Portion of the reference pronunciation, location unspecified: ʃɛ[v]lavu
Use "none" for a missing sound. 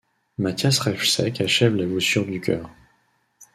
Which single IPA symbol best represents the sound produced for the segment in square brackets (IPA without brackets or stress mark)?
v